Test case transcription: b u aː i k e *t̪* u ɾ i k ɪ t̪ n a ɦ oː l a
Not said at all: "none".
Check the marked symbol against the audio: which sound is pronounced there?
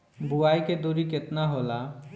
d̪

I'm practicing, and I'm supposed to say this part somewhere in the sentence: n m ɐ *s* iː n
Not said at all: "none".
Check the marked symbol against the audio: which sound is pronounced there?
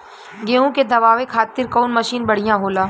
ʃ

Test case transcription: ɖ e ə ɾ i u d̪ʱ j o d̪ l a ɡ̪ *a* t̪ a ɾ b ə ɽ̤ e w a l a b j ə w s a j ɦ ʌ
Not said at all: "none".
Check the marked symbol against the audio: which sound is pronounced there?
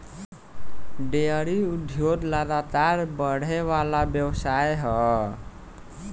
a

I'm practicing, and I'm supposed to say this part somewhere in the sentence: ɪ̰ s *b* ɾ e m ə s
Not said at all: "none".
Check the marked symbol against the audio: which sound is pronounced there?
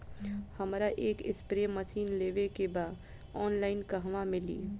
p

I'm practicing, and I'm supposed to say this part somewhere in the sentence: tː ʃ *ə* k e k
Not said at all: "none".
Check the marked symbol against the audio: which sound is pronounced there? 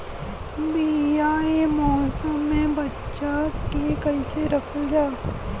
a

